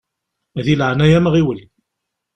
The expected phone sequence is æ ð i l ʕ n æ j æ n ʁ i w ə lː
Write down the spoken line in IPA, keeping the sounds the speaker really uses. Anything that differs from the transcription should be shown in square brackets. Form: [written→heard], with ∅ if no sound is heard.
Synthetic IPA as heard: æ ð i l ʕ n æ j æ [n→m] ʁ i w ə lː